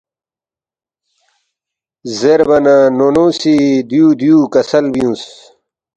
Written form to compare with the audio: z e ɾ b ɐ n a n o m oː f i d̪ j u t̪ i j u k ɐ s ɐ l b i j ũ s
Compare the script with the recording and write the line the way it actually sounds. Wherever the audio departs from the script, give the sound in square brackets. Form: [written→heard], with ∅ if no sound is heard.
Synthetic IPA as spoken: z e ɾ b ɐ n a n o [m→n] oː [f→s] i d̪ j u [t̪→d̪] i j u k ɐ s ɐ l b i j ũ s

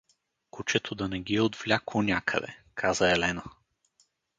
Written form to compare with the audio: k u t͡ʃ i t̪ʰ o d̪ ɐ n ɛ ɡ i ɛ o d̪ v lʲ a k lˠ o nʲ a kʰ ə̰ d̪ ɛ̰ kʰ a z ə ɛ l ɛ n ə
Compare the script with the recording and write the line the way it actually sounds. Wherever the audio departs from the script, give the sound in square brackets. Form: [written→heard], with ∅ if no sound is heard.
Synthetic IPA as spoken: k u t͡ʃ [i→ɛ] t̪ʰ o d̪ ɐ n ɛ ɡ i ɛ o d̪ v lʲ a k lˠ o nʲ a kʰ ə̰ d̪ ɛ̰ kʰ a z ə ɛ l ɛ n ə

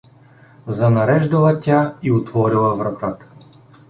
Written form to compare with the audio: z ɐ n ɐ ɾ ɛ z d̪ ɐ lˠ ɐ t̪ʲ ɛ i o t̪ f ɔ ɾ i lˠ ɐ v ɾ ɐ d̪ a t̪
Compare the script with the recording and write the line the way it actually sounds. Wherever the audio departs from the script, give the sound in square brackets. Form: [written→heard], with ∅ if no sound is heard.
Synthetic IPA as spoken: z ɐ n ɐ ɾ ɛ [z→ʒ] d̪ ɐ lˠ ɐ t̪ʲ [ɛ→a] i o t̪ [f→v] ɔ ɾ i lˠ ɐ v ɾ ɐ [d̪→t̪] a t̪

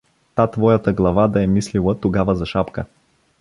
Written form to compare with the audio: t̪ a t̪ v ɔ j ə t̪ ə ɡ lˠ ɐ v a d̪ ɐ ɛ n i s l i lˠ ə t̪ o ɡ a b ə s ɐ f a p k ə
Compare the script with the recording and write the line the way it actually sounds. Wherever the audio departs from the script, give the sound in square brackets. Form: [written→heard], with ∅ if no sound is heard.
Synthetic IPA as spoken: t̪ a t̪ v ɔ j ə t̪ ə ɡ lˠ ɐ v a d̪ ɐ ɛ [n→m] i s l i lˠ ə t̪ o ɡ a [b→v] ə [s→z] ɐ [f→ʃ] a p k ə

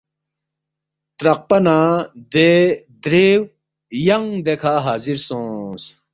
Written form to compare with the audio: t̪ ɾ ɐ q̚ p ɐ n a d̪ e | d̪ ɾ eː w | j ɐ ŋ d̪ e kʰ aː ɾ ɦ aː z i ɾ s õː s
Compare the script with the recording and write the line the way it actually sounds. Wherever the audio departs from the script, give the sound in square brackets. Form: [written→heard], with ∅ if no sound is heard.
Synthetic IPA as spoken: t̪ ɾ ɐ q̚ p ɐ n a d̪ e | d̪ ɾ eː w | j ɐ ŋ d̪ e kʰ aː [ɾ→∅] ɦ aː z i ɾ s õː s

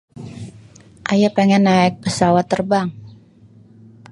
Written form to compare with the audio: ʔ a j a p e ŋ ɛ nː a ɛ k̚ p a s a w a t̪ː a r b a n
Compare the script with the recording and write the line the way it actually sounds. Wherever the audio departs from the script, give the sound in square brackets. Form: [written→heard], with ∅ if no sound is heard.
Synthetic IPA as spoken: ʔ a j a p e ŋ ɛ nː a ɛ k̚ p [a→ə] s a w a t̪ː [a→ə] r b a [n→ŋ]

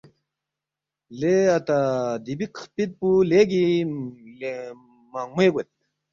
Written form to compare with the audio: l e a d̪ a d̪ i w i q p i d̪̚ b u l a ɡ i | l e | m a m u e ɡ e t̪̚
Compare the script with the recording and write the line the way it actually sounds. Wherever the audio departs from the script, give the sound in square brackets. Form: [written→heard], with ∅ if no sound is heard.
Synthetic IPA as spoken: l e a [d̪→t̪] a d̪ i [w→b] i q p i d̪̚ [b→p] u l [a→e] ɡ i | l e | m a m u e ɡ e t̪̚

